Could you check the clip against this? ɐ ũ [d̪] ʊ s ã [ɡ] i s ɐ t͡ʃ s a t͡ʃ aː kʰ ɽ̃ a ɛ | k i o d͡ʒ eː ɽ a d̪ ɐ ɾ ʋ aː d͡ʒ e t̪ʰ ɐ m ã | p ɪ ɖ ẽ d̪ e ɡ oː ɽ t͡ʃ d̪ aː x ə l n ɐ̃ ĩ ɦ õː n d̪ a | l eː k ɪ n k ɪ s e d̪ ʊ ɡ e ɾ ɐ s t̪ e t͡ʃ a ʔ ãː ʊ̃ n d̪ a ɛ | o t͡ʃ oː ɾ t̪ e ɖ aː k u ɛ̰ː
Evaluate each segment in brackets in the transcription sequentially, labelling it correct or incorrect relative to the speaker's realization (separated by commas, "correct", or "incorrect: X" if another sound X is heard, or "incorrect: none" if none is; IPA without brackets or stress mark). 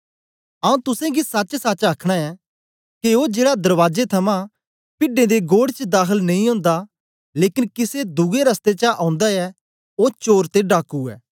incorrect: t̪, correct